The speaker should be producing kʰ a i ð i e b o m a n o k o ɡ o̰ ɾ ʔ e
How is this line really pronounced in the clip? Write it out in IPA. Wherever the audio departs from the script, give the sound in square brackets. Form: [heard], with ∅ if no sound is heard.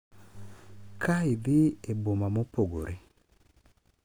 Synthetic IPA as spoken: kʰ a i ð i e b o m a [m] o [p] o ɡ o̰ ɾ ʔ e